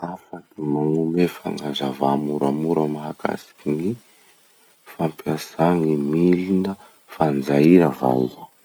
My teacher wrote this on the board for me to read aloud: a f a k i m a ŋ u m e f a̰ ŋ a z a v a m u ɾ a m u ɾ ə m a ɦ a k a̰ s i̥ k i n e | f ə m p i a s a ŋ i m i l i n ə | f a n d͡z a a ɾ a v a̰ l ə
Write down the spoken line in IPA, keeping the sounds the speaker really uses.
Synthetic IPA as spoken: a f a k i m a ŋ u m e f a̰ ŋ a z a v a m u ɾ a m u ɾ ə m a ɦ a k a̰ s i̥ k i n i | f a m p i a s a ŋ i m i l i n ə | f a n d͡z a i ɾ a v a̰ l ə